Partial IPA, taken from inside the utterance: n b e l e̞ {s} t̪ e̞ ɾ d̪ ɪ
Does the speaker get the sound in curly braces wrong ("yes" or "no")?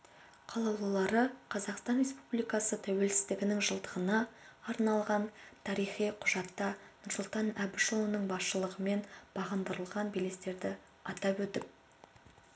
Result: no